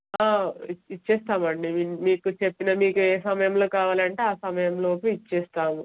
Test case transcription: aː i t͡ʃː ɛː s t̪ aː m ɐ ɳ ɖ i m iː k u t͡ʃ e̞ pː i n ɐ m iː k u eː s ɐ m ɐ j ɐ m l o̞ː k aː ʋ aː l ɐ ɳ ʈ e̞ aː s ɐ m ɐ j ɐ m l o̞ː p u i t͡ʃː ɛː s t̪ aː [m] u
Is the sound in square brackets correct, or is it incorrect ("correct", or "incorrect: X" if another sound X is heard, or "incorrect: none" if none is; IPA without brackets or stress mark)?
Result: correct